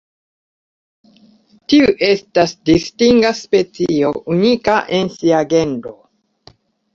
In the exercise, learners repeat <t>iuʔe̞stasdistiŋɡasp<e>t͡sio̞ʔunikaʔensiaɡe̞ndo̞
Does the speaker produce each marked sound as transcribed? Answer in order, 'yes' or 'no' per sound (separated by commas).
yes, yes